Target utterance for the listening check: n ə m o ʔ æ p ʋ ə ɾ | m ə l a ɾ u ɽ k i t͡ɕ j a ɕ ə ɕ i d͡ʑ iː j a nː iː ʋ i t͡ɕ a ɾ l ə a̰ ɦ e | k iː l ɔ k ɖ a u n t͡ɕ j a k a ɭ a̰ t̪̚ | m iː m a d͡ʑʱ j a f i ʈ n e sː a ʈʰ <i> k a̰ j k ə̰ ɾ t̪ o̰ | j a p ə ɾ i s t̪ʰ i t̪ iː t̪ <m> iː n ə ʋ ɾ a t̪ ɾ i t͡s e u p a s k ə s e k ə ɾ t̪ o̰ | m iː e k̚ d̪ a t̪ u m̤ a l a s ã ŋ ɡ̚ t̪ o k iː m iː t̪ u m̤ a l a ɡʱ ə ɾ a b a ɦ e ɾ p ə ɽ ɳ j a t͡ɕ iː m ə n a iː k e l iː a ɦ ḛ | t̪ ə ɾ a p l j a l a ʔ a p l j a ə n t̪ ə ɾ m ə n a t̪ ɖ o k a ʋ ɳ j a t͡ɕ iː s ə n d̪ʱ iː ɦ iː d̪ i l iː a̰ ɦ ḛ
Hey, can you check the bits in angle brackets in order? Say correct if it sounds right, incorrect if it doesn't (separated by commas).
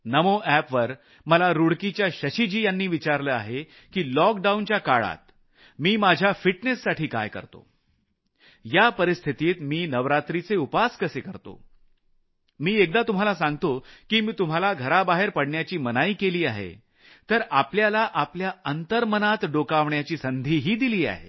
incorrect, correct